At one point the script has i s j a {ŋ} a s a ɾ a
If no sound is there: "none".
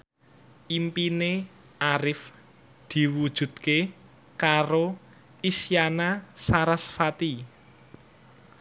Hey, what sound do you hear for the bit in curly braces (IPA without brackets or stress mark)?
n